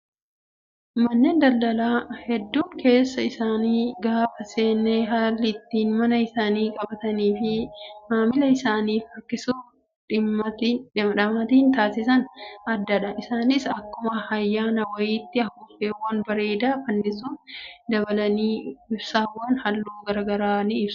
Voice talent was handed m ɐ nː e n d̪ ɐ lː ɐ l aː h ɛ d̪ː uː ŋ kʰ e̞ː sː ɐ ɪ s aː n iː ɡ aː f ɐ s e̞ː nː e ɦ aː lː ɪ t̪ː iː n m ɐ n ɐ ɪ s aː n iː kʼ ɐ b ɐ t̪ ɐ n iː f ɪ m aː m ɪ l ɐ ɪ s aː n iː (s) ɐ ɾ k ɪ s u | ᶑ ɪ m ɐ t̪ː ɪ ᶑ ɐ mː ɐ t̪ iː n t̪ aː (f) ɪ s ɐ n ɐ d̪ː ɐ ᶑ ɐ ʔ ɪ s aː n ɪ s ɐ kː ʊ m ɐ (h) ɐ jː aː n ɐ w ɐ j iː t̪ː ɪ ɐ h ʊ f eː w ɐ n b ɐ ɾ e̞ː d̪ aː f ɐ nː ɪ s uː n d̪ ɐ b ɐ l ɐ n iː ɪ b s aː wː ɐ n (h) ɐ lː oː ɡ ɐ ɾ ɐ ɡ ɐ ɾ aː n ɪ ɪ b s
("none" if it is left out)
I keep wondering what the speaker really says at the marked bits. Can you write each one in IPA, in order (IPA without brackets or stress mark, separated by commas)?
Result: f, s, h, h